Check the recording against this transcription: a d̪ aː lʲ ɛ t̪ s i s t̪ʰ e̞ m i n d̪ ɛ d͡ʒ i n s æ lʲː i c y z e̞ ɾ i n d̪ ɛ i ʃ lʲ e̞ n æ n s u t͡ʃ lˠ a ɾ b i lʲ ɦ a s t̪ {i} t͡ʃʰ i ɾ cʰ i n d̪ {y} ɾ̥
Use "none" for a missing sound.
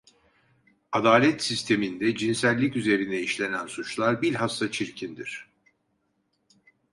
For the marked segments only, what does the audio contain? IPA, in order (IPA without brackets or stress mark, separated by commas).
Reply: a, i